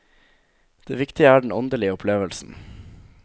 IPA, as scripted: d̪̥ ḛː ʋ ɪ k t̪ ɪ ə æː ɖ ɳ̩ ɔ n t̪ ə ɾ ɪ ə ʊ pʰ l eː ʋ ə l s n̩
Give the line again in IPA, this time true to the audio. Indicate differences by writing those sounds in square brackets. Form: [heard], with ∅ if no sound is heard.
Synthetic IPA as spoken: d̪̥ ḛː ʋ ɪ k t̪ ɪ ə æː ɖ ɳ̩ ɔ n [d̪] ə [l] ɪ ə ʊ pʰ l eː ʋ ə l s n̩